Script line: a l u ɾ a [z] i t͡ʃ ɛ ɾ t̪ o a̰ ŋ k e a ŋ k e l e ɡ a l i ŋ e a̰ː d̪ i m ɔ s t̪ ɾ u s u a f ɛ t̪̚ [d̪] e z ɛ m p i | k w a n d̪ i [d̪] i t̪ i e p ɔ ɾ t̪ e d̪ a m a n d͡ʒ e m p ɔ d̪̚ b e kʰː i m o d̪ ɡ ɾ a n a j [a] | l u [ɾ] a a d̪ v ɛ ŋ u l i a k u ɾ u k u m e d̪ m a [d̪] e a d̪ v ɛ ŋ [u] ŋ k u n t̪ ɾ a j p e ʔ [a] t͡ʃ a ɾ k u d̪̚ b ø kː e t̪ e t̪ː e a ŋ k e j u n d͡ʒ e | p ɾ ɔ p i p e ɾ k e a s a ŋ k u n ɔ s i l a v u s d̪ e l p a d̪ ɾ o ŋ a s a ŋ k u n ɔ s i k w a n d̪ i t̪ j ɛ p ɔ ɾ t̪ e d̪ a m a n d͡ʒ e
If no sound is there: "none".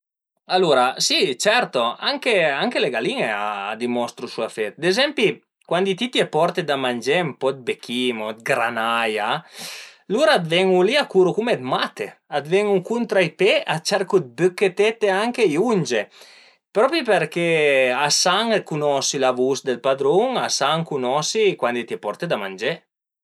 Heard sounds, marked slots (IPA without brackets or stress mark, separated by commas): s, d̪, t̪, a, ɾ, t̪, u, a